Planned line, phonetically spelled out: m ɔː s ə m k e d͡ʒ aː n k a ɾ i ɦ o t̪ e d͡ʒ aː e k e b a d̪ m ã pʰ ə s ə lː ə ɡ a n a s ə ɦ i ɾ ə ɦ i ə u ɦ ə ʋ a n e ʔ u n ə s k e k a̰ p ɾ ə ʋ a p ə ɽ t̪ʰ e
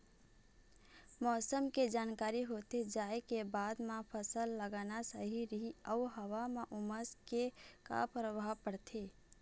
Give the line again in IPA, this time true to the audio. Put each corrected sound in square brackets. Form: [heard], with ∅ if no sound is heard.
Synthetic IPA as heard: m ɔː s ə m k e d͡ʒ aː n k a ɾ i ɦ o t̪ e d͡ʒ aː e k e b a d̪ m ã pʰ ə s ə lː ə ɡ a n a s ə ɦ i ɾ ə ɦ i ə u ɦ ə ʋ a [m] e ʔ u [m] ə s k e k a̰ p ɾ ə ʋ a p ə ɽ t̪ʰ e